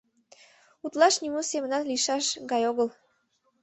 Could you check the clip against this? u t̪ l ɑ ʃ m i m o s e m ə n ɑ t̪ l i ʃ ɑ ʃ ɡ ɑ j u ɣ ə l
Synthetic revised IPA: u t̪ l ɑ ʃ n i m o s e m ə n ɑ t̪ l i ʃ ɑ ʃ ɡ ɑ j o ɣ ə l